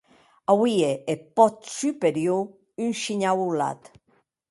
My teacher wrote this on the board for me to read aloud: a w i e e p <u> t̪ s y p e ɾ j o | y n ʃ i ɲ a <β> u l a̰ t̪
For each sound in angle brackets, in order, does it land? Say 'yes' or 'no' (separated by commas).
no, no